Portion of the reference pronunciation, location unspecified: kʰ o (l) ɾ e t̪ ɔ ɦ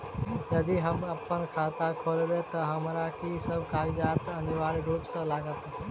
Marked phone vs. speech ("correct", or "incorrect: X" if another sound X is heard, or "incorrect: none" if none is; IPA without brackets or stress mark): correct